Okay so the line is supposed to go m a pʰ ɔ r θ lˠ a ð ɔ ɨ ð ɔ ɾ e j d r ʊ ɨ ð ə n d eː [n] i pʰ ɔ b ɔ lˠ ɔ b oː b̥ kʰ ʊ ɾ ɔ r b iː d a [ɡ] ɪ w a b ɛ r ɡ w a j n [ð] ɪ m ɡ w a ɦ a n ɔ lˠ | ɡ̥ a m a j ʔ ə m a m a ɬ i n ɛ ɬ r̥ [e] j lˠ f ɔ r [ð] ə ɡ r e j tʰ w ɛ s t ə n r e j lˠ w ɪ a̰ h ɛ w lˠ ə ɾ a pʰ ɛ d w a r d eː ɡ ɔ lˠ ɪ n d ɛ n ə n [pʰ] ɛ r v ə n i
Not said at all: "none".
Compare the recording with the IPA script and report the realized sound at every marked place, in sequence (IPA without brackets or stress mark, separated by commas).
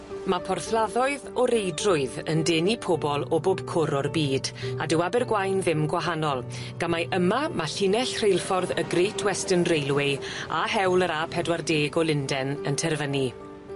n, d, ð, e, ð, tʰ